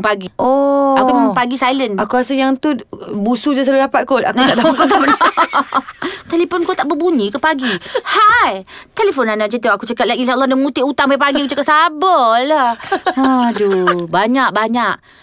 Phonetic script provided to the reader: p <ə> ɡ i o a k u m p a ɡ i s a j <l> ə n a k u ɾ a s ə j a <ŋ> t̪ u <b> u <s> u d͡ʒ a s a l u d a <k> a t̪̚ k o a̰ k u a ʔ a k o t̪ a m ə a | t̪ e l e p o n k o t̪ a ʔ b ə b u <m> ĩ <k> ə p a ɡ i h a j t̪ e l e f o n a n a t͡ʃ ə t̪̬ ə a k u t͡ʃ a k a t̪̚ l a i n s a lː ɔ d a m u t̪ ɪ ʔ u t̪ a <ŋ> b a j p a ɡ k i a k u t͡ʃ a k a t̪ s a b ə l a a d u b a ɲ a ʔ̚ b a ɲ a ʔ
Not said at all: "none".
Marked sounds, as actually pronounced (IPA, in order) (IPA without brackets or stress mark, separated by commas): a, l, ŋ, b, s, p, ɲ, k, ŋ